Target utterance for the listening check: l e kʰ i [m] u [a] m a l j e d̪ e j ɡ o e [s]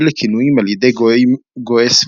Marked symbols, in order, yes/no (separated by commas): no, no, yes